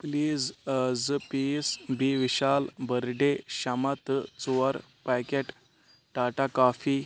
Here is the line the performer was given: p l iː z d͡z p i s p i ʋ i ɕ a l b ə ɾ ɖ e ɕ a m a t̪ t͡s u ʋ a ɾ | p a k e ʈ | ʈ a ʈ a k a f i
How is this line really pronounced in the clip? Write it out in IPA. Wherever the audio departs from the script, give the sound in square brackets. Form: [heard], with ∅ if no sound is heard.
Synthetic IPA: p l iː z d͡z p i s [b] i ʋ i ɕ a l b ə ɾ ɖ e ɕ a m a t̪ t͡s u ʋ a ɾ | p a k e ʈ | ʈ a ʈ a k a f i